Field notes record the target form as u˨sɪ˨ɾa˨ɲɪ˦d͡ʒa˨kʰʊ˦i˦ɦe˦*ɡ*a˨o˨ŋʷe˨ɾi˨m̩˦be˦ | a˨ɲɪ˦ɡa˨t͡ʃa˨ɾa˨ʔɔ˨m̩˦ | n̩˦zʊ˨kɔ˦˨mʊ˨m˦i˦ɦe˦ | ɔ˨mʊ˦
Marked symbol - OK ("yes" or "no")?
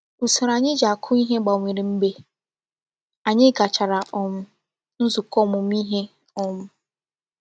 no